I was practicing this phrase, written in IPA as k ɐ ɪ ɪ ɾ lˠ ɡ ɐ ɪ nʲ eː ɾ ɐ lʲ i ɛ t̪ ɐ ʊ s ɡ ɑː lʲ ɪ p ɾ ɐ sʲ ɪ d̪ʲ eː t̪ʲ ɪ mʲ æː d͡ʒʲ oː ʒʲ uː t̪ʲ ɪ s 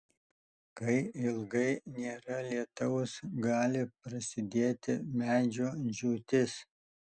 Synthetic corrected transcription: k ɐ ɪ ɪ lˠ ɡ ɐ ɪ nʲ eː ɾ ɐ lʲ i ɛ t̪ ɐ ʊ s ɡ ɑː lʲ ɪ p ɾ ɐ sʲ ɪ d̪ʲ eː t̪ʲ ɪ mʲ æː d͡ʒʲ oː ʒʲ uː t̪ʲ ɪ s